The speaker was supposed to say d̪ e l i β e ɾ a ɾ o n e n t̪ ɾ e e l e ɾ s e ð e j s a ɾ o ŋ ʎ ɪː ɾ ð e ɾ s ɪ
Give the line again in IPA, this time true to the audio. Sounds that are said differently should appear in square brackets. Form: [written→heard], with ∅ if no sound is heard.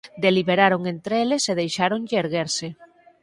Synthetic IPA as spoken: d̪ e l i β e ɾ a ɾ o [n→ŋ] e n t̪ ɾ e e l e [ɾ→∅] s e ð e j [s→ʃ] a ɾ o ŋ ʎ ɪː ɾ [ð→ɣ] e ɾ s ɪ